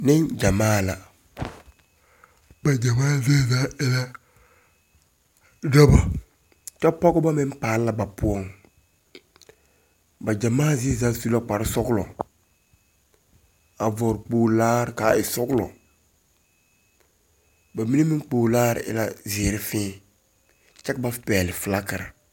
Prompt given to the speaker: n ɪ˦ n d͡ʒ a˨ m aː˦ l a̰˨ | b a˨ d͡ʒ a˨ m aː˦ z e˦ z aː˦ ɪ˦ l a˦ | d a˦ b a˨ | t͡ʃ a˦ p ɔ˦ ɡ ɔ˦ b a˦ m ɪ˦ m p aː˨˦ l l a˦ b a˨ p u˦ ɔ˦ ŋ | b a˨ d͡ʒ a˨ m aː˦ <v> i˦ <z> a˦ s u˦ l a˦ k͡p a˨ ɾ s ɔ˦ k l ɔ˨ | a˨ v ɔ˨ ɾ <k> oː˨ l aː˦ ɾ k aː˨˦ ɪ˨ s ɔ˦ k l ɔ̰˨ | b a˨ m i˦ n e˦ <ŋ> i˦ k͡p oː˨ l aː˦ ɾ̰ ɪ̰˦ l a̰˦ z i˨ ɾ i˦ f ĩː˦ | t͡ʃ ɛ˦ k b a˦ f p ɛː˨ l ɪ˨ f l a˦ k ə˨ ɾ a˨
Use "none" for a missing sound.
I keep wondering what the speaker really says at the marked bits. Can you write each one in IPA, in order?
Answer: z, z, k͡p, m

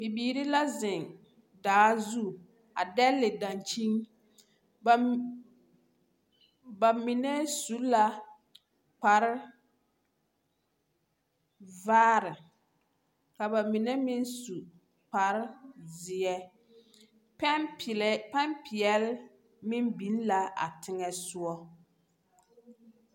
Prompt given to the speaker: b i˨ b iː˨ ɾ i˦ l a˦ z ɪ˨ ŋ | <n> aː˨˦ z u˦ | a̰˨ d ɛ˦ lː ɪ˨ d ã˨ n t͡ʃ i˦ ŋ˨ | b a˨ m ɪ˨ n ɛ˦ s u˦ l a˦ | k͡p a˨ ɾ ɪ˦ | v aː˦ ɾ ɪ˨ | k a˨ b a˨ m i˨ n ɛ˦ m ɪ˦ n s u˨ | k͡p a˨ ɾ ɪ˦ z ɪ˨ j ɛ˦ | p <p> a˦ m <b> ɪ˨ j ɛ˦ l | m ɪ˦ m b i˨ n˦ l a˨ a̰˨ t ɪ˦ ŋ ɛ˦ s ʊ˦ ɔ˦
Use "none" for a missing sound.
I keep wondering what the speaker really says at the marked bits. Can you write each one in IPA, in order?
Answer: d, p, p

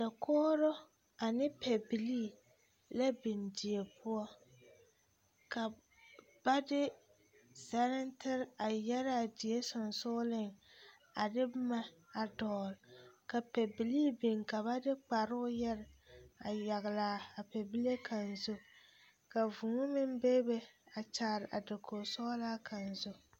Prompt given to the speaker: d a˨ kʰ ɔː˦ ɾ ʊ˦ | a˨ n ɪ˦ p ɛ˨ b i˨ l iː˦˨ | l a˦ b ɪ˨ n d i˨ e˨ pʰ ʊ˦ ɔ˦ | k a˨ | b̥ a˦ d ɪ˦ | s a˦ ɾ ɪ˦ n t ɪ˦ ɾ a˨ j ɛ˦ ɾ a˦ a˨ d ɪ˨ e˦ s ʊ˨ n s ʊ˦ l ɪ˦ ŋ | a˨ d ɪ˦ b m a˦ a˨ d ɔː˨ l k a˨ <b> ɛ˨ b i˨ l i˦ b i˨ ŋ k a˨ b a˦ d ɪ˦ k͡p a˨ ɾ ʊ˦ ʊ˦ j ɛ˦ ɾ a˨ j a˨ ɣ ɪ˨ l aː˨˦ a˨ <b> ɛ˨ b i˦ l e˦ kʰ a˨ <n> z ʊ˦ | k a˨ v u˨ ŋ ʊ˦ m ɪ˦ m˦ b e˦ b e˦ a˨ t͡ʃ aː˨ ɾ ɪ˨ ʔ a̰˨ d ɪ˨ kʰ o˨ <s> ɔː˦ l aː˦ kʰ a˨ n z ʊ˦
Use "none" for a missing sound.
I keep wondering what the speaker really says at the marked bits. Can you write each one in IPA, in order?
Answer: p, p, n, s

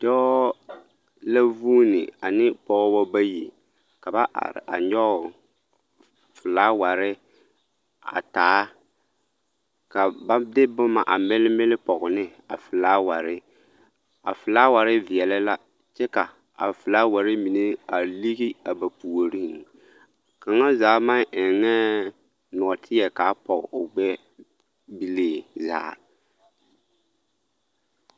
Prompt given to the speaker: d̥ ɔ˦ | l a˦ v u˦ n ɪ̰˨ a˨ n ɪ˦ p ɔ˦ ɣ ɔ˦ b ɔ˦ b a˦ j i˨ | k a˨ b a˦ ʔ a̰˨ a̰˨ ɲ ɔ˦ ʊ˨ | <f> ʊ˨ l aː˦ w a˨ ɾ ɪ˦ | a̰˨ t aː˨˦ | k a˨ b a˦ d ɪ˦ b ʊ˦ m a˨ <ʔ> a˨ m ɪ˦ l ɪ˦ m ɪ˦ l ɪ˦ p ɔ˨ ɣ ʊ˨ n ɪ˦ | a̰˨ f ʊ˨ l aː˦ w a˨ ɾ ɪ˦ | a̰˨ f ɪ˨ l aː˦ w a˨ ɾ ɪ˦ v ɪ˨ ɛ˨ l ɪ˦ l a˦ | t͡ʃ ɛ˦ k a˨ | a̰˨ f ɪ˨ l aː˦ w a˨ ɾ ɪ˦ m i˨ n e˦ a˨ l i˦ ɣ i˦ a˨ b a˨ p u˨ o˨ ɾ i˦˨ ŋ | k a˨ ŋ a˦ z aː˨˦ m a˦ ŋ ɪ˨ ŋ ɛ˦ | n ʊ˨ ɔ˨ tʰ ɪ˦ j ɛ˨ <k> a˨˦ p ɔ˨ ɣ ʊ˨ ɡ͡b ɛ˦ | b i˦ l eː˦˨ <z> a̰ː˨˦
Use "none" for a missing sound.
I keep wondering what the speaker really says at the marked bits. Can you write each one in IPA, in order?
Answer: f, ʔ, k, z

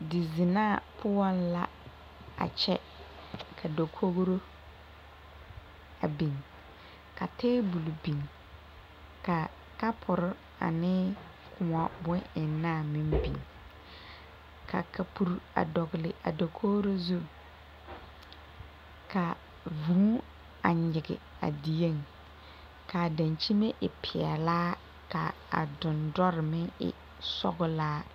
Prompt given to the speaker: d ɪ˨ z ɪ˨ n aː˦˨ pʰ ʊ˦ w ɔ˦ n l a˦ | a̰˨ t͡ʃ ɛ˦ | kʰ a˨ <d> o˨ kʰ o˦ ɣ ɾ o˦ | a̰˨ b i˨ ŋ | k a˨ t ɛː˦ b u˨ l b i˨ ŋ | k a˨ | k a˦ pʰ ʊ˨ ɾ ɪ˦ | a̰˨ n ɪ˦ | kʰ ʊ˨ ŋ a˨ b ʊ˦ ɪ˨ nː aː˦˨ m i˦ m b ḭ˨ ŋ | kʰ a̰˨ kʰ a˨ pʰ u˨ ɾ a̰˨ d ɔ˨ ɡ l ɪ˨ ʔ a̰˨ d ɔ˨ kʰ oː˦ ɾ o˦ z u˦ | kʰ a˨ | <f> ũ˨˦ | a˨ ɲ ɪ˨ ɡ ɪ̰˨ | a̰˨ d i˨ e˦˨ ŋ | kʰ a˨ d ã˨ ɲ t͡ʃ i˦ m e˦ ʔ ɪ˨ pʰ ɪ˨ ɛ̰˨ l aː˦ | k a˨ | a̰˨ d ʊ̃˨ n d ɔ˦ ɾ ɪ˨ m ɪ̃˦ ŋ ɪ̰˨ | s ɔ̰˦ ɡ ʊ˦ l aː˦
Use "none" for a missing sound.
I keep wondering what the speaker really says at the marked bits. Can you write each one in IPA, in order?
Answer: d, v

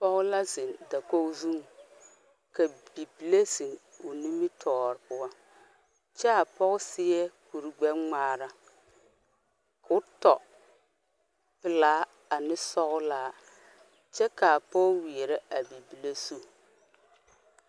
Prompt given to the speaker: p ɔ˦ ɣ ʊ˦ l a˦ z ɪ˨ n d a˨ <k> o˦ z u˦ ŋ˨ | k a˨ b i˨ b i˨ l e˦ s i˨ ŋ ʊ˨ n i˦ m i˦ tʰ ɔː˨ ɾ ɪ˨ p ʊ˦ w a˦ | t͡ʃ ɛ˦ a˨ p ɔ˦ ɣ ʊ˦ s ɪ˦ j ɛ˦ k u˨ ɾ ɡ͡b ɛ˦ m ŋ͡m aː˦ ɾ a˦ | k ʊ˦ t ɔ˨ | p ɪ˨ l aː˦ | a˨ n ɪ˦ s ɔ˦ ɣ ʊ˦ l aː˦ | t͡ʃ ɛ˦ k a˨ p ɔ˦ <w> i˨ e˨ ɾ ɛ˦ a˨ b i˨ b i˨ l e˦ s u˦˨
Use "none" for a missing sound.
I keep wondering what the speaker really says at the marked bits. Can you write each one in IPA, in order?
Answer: k, w

